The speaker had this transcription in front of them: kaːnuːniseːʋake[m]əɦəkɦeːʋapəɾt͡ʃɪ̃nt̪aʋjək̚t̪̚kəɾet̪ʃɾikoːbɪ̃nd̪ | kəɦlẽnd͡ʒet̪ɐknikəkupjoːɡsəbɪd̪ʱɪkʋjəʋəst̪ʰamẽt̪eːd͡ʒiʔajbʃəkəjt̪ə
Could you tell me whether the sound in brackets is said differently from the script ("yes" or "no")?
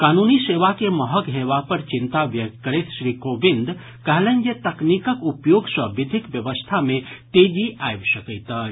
no